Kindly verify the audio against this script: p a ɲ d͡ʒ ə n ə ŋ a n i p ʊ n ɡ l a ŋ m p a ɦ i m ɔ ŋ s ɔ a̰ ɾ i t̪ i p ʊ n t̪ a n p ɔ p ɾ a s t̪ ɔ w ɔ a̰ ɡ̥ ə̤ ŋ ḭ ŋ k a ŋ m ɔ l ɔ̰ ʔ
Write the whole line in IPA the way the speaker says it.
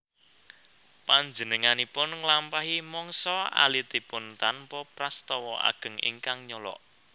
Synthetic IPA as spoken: p a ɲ d͡ʒ ə n ə ŋ a n i p ʊ n ŋ l a m p a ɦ i m ɔ ŋ s ɔ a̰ l i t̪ i p ʊ n t̪ a n p ɔ p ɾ a s t̪ ɔ w ɔ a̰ ɡ̥ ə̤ ŋ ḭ ŋ k a ŋ ɲ ɔ l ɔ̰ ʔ